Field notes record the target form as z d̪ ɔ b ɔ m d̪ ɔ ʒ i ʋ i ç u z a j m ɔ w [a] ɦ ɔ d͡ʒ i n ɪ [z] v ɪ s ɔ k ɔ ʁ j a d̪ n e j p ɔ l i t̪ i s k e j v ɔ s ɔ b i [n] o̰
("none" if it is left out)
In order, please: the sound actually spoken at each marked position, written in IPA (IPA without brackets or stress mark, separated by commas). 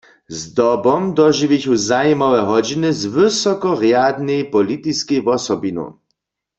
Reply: ɛ, z, n